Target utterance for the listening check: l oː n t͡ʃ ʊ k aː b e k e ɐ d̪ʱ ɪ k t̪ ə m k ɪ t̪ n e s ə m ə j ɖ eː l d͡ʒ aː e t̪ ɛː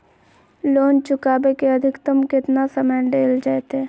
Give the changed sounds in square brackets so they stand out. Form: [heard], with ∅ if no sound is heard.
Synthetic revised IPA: l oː n t͡ʃ ʊ k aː b e k e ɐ d̪ʱ ɪ k t̪ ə m k ɪ t̪ n [a] s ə m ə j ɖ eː l d͡ʒ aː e t̪ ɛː